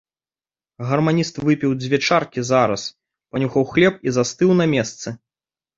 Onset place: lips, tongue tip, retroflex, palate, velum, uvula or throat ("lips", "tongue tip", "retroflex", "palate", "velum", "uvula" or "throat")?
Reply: velum